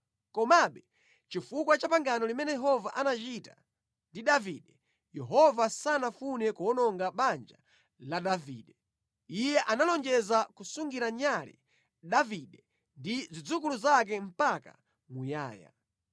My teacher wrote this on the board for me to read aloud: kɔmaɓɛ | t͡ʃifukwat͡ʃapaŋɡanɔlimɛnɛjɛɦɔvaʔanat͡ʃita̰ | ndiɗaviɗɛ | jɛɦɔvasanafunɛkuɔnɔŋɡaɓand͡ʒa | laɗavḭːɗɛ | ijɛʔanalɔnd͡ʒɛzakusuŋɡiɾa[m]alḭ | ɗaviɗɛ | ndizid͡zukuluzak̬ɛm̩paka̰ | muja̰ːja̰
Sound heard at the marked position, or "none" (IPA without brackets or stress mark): ɲ